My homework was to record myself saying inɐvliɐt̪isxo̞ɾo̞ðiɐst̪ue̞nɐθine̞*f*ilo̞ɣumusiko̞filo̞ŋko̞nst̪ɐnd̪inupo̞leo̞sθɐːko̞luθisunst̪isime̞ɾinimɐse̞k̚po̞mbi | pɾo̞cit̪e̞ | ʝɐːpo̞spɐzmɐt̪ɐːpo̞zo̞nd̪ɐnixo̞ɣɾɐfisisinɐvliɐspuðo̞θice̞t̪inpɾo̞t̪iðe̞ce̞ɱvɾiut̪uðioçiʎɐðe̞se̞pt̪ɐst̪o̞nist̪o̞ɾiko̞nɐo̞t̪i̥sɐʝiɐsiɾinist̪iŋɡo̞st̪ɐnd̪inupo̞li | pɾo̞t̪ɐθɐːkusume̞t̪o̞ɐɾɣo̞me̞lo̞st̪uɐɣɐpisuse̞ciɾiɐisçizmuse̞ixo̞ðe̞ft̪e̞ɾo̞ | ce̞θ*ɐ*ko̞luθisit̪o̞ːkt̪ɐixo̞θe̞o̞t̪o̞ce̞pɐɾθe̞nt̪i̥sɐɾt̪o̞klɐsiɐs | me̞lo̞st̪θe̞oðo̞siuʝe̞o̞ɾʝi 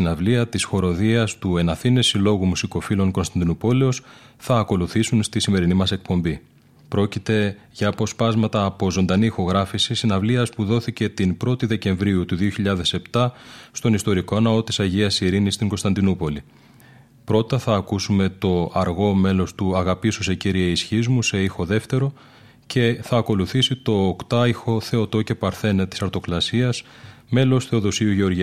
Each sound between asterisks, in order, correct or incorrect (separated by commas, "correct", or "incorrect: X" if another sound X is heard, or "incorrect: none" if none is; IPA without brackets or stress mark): incorrect: s, incorrect: ɐː